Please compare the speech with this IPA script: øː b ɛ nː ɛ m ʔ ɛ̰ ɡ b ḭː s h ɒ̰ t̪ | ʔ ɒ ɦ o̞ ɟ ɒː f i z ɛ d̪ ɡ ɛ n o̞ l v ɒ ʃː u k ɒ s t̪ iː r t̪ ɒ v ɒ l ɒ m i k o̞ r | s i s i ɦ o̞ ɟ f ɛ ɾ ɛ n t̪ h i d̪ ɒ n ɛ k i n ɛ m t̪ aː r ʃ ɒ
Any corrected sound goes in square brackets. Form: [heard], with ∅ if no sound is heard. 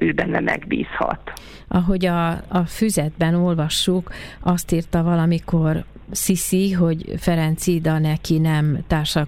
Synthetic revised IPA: øː b ɛ nː ɛ m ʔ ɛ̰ ɡ b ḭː s h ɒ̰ t̪ | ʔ ɒ ɦ o̞ ɟ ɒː f [y] z ɛ d̪ [b] ɛ n o̞ l v ɒ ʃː u k ɒ s t̪ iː r t̪ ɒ v ɒ l ɒ m i k o̞ r | s i s i ɦ o̞ ɟ f ɛ ɾ ɛ n t̪ [s] i d̪ ɒ n ɛ k i n ɛ m t̪ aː r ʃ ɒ